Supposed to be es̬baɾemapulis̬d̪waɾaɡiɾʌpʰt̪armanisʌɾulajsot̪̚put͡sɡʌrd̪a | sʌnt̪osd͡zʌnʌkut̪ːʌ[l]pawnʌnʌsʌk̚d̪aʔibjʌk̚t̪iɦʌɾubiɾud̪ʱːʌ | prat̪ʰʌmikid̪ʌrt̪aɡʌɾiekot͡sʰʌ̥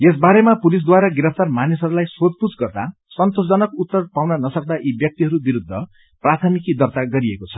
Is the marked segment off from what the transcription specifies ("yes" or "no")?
yes